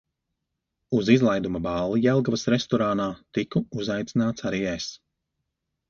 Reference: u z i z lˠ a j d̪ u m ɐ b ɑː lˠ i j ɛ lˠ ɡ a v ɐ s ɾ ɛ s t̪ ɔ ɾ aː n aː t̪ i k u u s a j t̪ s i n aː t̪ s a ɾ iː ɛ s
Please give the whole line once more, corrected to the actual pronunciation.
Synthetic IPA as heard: u z i z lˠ a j d̪ u m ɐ b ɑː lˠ i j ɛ lˠ ɡ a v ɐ s ɾ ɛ s t̪ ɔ ɾ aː n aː t̪ i k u u z a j t̪ s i n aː t̪ s a ɾ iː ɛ s